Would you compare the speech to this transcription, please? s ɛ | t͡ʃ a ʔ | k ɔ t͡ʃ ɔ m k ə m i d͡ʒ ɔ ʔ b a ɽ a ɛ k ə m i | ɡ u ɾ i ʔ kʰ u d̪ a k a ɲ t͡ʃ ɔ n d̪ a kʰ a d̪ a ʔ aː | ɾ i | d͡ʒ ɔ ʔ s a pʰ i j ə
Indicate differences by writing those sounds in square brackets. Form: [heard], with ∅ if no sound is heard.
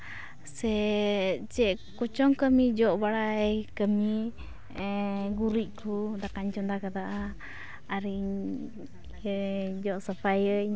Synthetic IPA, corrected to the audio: s ɛ | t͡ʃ [ɛ] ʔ | k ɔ t͡ʃ ɔ [ŋ] k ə m i d͡ʒ ɔ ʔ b a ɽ a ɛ k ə m i | ɡ u ɾ i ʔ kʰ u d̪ a k a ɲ t͡ʃ ɔ n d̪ a [k] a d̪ a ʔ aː | ɾ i | d͡ʒ ɔ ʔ s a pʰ [a] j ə